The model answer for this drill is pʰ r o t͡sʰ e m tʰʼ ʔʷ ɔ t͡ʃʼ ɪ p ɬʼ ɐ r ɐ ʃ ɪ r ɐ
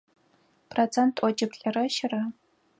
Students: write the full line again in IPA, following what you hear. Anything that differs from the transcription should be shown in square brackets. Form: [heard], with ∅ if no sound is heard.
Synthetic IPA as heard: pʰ r o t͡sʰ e [n] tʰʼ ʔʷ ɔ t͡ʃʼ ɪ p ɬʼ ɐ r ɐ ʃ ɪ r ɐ